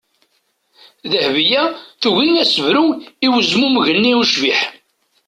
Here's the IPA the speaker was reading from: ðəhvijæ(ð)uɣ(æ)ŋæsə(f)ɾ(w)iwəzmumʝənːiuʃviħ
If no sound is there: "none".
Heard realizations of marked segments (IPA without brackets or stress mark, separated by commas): θ, i, v, u